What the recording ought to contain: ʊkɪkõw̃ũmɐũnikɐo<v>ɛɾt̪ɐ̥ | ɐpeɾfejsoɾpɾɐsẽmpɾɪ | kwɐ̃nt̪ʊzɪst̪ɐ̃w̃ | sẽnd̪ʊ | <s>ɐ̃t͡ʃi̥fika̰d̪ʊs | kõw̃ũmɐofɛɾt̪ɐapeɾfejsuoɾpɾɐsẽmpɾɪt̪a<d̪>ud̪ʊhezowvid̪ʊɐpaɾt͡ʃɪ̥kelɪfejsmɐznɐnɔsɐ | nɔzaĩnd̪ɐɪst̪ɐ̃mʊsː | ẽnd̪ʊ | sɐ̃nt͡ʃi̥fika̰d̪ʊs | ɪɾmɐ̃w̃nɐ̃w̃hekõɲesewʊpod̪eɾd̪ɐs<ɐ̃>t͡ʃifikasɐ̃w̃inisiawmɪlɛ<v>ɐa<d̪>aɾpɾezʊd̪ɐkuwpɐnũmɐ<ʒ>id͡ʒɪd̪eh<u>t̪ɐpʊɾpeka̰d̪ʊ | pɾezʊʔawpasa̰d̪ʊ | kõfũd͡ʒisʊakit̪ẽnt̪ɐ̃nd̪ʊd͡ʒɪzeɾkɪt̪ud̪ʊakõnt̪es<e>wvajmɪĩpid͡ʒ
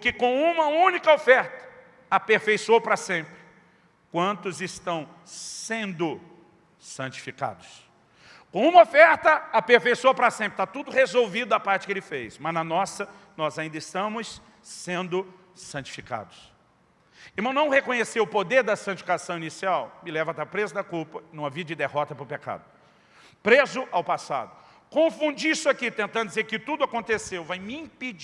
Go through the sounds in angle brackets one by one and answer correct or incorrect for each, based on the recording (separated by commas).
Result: incorrect, correct, incorrect, correct, correct, incorrect, incorrect, incorrect, correct